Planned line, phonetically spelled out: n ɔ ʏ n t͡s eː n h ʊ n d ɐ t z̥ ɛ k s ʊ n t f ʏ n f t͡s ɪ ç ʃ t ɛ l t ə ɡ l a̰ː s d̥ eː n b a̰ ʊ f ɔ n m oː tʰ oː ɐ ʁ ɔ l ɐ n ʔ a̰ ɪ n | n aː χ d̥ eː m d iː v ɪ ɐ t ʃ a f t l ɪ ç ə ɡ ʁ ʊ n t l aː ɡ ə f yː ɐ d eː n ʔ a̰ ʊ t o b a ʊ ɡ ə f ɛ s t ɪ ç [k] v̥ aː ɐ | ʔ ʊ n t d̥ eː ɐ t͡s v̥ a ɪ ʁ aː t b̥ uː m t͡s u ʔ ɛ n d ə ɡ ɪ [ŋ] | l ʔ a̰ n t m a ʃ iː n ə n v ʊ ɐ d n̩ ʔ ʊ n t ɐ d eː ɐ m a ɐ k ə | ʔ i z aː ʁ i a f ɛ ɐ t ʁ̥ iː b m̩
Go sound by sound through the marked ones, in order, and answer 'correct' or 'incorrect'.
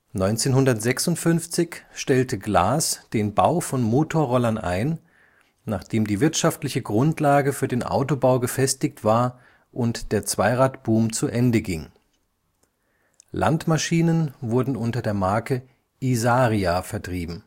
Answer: incorrect, correct

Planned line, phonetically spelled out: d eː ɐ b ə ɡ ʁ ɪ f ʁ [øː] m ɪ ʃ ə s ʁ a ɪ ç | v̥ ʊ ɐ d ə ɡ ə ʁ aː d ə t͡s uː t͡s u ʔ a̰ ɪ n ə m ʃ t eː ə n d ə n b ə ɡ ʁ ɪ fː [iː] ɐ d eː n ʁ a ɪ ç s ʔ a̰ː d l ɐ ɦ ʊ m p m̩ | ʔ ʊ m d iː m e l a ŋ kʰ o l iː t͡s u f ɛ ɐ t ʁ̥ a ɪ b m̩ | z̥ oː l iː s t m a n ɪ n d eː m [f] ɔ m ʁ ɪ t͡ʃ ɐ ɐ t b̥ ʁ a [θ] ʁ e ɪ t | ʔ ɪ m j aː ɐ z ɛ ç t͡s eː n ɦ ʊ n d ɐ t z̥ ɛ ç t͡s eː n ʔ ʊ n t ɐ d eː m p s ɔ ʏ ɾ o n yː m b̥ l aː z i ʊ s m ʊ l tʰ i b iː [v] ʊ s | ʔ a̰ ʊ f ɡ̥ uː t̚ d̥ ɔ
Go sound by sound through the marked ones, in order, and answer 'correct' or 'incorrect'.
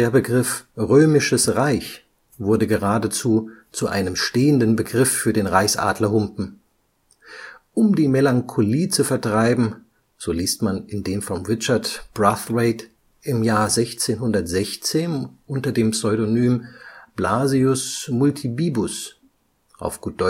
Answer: correct, incorrect, correct, correct, incorrect

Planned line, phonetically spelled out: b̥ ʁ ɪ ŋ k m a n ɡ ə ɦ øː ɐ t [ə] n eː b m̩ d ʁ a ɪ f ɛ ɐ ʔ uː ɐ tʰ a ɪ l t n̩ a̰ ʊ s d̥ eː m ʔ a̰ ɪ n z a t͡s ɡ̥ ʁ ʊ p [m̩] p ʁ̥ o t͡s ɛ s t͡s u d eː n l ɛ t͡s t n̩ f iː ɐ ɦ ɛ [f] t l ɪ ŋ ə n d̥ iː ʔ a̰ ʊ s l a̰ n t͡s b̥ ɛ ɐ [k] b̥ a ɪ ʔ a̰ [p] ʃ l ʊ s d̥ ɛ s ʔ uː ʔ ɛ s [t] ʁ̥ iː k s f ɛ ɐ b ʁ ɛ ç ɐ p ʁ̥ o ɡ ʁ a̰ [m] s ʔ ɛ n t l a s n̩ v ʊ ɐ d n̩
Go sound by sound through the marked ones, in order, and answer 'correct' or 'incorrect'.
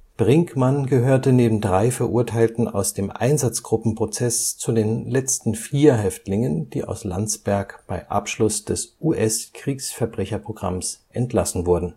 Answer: correct, correct, correct, correct, correct, incorrect, correct

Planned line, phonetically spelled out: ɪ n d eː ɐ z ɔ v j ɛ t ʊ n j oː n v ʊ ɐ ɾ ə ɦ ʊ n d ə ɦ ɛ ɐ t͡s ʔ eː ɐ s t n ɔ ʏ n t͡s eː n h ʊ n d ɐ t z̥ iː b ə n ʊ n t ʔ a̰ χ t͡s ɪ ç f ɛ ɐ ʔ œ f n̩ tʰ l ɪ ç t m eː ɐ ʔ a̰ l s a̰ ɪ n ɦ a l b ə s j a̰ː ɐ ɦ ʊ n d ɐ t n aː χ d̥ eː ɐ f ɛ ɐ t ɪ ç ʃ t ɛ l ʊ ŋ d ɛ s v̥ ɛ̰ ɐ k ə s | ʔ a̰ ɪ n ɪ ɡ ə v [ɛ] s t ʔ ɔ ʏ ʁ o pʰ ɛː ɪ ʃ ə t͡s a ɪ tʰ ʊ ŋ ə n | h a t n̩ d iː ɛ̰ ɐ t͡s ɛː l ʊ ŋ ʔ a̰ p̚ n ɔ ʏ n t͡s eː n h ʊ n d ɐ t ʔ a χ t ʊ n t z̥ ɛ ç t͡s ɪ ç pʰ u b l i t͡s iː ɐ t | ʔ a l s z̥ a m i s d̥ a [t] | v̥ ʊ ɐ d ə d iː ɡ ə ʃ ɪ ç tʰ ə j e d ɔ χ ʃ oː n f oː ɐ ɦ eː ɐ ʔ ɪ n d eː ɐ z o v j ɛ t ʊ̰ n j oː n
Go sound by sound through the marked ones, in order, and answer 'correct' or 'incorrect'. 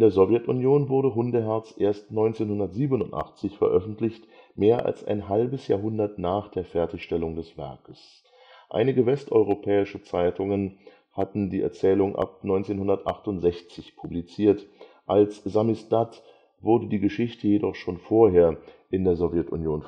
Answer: correct, correct

